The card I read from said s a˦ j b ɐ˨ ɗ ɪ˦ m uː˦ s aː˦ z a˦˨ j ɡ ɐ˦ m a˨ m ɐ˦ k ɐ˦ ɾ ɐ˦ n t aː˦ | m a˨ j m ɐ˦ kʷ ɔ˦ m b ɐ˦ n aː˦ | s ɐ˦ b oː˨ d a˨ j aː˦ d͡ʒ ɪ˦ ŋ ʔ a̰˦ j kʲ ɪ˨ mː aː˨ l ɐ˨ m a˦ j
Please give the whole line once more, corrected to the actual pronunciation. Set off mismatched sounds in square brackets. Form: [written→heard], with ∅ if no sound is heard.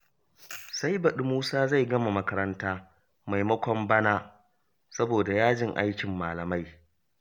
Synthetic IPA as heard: s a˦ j b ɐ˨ ɗ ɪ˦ m uː˦ s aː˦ z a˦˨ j ɡ ɐ˦ m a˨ m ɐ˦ k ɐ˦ ɾ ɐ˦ n t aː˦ | m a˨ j m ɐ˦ kʷ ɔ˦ m b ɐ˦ n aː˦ | s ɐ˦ b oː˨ d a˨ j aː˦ d͡ʒ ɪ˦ ŋ ʔ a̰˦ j kʲ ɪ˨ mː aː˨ l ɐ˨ m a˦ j